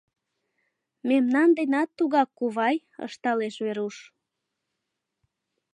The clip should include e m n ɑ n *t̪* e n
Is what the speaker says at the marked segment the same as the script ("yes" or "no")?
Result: no